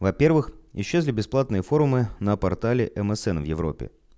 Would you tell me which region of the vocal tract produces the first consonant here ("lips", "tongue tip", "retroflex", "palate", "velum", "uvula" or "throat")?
lips